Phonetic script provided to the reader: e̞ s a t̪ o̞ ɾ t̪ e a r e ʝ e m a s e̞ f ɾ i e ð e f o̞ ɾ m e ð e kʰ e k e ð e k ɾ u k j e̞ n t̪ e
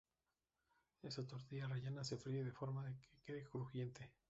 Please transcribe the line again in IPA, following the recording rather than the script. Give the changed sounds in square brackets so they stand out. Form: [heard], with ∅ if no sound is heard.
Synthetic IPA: e̞ s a t̪ o̞ ɾ t̪ [i] a r e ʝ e [n] a s e̞ f ɾ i e ð e f o̞ ɾ m [a] ð e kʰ e k e ð e k ɾ u [x] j e̞ n t̪ e